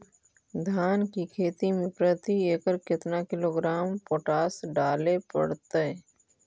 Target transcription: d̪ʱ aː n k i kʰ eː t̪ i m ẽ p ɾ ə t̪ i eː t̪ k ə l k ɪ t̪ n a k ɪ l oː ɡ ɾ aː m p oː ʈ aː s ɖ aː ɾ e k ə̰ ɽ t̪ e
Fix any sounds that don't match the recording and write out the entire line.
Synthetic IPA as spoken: d̪ʱ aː n k i kʰ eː t̪ i m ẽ p ɾ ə t̪ i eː k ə ɾ k ɪ t̪ n a k ɪ l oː ɡ ɾ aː m p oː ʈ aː s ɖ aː l e p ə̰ ɽ t̪ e